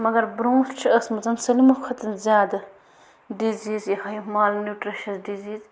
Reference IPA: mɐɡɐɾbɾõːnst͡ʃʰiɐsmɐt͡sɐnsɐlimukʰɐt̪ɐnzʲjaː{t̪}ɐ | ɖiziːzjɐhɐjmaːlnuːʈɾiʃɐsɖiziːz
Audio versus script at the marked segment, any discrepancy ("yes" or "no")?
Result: yes